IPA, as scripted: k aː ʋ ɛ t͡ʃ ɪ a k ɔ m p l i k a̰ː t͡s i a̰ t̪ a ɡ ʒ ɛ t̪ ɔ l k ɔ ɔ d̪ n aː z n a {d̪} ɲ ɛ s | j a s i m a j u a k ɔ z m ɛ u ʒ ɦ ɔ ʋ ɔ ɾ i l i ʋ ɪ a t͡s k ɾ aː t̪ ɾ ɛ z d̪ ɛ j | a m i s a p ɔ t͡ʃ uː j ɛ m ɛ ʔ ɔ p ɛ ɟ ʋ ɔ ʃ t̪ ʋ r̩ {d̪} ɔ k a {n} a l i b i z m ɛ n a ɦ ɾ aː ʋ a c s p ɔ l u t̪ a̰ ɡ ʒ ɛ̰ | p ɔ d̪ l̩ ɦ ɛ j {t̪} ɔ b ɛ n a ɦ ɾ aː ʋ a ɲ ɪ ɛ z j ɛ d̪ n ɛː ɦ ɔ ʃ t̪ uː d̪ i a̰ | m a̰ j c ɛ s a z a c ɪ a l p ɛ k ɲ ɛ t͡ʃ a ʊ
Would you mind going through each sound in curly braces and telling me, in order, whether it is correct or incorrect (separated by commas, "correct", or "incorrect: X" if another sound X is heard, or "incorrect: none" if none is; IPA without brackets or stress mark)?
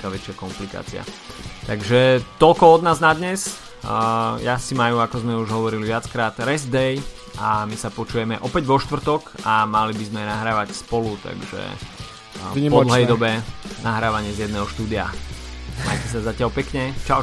correct, incorrect: t̪, incorrect: m, incorrect: d̪